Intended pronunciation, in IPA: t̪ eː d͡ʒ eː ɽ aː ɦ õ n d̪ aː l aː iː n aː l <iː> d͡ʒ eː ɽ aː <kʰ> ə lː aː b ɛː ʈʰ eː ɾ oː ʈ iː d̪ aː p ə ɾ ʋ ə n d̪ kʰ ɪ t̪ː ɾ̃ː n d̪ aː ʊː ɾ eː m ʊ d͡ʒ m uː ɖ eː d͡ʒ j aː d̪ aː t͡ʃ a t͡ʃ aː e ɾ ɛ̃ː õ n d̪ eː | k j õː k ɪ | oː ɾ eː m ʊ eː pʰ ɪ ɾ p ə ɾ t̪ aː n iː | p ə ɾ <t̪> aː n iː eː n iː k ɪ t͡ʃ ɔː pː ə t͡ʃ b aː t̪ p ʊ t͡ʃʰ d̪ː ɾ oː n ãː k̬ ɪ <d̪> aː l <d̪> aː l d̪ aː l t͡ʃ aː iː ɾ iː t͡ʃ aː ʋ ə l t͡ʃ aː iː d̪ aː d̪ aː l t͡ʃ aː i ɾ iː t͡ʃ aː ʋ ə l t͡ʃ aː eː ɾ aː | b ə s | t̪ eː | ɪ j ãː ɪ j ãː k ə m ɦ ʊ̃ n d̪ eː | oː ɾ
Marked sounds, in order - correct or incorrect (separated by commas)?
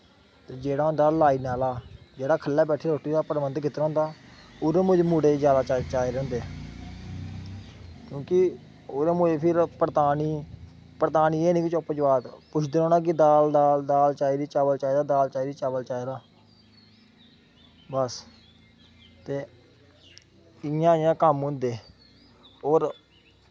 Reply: incorrect, correct, correct, correct, correct